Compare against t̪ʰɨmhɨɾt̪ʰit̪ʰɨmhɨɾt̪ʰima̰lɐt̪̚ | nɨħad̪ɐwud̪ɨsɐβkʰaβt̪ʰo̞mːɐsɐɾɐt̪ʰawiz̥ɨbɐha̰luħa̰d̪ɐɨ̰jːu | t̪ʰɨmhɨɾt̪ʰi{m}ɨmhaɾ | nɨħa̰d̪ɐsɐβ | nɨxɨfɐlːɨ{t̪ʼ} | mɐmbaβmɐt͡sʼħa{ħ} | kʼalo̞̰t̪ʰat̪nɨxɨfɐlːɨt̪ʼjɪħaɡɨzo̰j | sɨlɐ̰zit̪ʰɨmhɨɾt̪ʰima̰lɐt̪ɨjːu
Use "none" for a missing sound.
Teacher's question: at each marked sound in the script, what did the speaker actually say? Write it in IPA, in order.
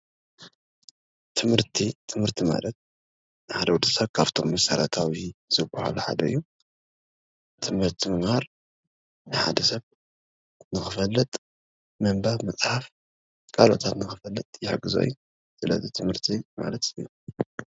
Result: m, t̪ʼ, f

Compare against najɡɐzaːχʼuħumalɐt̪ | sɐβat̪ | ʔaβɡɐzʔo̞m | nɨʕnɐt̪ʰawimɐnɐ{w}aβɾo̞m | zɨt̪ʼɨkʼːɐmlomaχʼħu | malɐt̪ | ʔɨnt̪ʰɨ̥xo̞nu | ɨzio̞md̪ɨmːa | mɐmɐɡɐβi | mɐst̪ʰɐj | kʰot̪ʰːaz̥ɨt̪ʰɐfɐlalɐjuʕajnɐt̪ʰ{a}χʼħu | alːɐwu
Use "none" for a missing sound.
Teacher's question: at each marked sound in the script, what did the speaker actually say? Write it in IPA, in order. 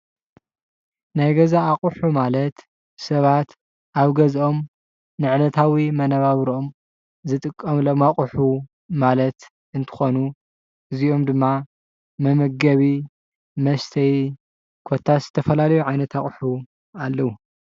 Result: β, a

